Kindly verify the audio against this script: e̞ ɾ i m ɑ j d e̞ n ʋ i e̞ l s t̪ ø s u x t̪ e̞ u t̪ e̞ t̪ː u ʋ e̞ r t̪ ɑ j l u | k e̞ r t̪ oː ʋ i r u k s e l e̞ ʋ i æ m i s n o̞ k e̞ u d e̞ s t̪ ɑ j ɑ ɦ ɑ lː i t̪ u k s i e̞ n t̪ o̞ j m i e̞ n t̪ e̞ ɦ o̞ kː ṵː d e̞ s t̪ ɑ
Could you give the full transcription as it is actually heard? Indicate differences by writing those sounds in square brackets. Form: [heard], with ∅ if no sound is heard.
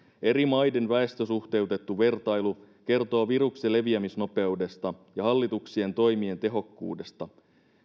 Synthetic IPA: e̞ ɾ i m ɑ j d e̞ n ʋ [æ] e̞ [∅] s t̪ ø s u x t̪ e̞ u t̪ e̞ t̪ː u ʋ e̞ r t̪ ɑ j l u | k e̞ r t̪ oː ʋ i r u k s e l e̞ ʋ i æ m i s n o̞ [p] e̞ u d e̞ s t̪ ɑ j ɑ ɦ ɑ lː i t̪ u k s i e̞ n t̪ o̞ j m i e̞ n t̪ e̞ ɦ o̞ kː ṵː d e̞ s t̪ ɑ